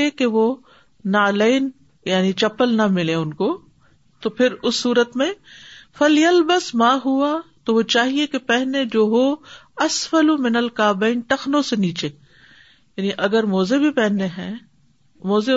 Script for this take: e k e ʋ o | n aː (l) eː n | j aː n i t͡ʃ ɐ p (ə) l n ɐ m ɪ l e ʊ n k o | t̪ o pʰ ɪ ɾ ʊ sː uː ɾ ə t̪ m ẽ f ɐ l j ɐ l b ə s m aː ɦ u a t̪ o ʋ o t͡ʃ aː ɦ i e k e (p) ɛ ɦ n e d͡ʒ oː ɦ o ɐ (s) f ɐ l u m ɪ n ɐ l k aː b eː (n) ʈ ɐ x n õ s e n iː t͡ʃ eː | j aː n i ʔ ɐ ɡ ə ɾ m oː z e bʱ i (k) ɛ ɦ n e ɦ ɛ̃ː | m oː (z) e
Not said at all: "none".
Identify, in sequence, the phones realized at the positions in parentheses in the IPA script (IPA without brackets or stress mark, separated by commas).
l, ə, p, s, n, p, z